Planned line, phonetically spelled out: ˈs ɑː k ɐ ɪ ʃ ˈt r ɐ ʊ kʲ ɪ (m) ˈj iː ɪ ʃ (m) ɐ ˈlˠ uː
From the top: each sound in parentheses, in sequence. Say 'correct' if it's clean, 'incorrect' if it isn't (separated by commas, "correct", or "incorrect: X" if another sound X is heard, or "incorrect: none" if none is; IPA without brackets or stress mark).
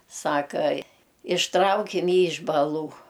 correct, incorrect: b